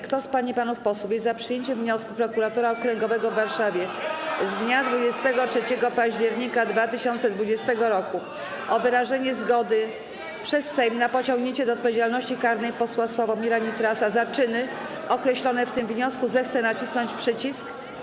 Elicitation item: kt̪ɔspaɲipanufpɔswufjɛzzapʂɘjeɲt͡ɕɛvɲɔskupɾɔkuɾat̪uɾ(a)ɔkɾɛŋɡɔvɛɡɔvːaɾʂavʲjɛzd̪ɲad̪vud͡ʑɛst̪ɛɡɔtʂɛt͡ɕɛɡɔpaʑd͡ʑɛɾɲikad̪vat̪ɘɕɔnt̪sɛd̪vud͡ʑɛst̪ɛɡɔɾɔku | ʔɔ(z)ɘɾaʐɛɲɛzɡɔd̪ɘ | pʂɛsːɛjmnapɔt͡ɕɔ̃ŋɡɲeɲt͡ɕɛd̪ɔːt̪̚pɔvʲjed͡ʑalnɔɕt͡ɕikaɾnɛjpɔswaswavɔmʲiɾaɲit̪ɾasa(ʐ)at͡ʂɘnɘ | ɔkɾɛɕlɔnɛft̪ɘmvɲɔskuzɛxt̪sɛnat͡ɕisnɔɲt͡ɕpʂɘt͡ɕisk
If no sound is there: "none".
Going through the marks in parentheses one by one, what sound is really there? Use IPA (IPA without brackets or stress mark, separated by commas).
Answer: a, v, z